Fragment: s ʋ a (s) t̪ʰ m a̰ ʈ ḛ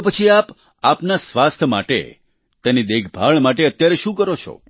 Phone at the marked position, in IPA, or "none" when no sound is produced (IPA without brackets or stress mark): s